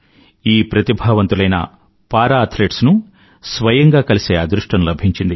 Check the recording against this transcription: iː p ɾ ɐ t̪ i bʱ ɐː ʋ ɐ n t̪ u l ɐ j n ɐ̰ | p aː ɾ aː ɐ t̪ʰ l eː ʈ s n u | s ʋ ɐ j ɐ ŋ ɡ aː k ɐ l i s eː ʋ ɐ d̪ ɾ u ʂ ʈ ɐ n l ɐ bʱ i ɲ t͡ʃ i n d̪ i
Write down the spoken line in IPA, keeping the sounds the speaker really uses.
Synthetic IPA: iː p ɾ ɐ t̪ i bʱ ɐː ʋ ɐ n t̪ u l ɐ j n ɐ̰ | p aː ɾ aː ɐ t̪ʰ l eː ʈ s n u | s ʋ ɐ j ɐ ŋ ɡ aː k ɐ l i s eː ɐ d̪ ɾ u ʂ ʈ ɐ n l ɐ bʱ i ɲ t͡ʃ i n d̪ i

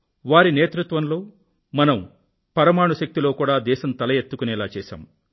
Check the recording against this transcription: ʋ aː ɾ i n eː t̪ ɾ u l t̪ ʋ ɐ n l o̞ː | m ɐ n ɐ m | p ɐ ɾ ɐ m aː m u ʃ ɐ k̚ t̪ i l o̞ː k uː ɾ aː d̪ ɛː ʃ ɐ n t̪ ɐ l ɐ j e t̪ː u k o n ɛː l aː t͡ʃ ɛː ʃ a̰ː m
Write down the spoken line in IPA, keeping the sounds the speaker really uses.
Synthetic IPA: ʋ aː ɾ i n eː t̪ ɾ u t̪ ʋ ɐ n l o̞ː | m ɐ n ɐ m | p ɐ ɾ ɐ m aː ɳ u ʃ ɐ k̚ t̪ i l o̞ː k uː ɽ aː d̪ ɛː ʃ ɐ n t̪ ɐ l ɐ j e t̪ː u k u n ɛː l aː t͡ʃ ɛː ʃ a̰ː m

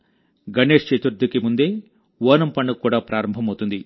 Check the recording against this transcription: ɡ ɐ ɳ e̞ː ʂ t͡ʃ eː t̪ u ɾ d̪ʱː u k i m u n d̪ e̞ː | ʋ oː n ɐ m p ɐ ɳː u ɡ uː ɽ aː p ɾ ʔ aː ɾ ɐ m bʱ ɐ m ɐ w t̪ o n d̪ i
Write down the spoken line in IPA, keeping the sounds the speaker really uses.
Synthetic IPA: ɡ ɐ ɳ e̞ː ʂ t͡ʃ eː t̪ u ɾ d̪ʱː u k i m u n d̪ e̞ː | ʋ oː n ɐ m p ɐ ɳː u k uː ɽ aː p ɾ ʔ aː ɾ ɐ m bʱ ɐ m ɐ w t̪ u n d̪ i

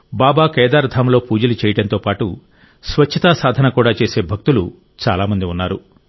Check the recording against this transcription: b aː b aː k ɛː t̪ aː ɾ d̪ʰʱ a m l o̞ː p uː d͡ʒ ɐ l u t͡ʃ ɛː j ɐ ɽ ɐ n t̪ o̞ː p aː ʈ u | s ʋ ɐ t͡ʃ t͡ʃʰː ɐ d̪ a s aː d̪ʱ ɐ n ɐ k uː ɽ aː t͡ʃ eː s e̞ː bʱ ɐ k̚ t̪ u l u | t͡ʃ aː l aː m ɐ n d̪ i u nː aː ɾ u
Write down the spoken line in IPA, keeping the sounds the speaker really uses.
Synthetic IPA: b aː b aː k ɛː d̪ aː ɾ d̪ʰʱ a m l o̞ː p uː d͡ʒ ɐ l u t͡ʃ ɛː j ɐ ɽ ɐ n t̪ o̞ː p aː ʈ u | s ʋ ɐ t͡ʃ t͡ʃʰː ɐ t̪ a s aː d̪ʱ ɐ n ɐ k uː ɽ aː t͡ʃ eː s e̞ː bʱ ɐ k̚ t̪ u l u | t͡ʃ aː l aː m ɐ n d̪ i u nː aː ɾ u

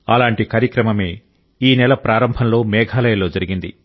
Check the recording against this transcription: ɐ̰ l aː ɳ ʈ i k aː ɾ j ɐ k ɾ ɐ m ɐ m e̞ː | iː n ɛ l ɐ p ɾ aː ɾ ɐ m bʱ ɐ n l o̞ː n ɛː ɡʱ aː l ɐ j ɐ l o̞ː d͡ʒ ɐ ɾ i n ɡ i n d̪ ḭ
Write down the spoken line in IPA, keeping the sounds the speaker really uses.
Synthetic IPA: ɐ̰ l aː ɳ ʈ i k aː ɾ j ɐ k ɾ ɐ m ɐ m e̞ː | iː n ɛ l ɐ p ɾ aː ɾ ɐ m bʱ ɐ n l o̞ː m ɛː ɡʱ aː l ɐ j ɐ l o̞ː d͡ʒ ɐ ɾ i ɡ i n d̪ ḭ

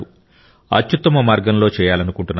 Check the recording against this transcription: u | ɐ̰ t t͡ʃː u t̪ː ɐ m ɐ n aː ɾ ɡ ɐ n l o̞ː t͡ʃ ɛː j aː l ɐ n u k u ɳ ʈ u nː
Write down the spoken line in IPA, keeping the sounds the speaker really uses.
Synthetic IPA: u | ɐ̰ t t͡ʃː u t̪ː ɐ m ɐ m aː ɾ ɡ ɐ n l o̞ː t͡ʃ ɛː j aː l ɐ n u k u ɳ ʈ u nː

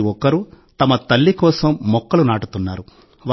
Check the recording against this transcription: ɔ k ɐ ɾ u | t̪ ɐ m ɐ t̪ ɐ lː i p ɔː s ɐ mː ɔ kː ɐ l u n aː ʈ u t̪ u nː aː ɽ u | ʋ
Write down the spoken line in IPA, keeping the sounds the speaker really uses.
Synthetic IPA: ɔ k ɐ ɾ u | t̪ ɐ m ɐ t̪ ɐ lː i k ɔː s ɐ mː ɔ kː ɐ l u n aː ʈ u t̪ u nː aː ɾ u | ʋ

